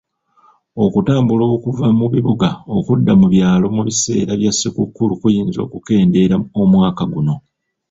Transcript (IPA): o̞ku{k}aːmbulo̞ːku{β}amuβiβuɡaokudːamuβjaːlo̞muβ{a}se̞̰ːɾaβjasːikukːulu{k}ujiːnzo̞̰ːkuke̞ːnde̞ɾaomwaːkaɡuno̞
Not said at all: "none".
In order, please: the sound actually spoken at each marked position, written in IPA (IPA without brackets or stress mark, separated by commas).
t, v, i, k